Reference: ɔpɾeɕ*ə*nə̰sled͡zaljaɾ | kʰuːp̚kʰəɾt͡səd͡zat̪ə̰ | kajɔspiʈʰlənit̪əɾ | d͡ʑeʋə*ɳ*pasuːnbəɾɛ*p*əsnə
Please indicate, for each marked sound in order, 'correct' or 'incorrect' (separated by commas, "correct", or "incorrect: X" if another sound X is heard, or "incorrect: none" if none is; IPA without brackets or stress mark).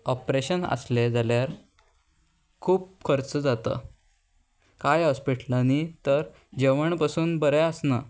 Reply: correct, correct, incorrect: none